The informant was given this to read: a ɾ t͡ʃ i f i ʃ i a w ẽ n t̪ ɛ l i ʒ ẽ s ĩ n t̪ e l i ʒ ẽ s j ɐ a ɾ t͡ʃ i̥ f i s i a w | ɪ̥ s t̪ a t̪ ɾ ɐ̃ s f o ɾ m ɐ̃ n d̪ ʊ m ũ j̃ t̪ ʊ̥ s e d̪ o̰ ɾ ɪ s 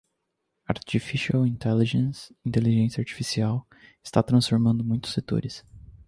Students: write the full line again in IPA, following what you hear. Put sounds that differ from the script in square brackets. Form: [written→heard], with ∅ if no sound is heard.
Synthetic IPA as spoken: a ɾ t͡ʃ i f i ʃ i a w [ẽ→ĩ] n t̪ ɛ l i ʒ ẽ s ĩ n t̪ e l i ʒ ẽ s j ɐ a ɾ t͡ʃ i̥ f i s i a w | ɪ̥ s t̪ a t̪ ɾ ɐ̃ s f o ɾ m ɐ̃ n d̪ ʊ m ũ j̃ t̪ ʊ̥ s e [d̪→t̪] o̰ ɾ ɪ s